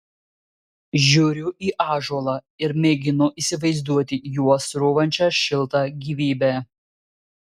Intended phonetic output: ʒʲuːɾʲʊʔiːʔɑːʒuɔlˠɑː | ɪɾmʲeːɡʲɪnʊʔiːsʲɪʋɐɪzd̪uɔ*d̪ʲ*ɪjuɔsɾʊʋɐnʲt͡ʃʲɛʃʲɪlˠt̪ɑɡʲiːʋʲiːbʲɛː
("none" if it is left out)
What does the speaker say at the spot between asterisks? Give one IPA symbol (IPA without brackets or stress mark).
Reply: t̪ʲ